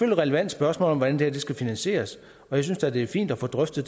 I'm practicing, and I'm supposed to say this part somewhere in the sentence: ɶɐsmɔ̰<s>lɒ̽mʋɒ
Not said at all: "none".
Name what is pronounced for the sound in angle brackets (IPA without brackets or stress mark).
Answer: none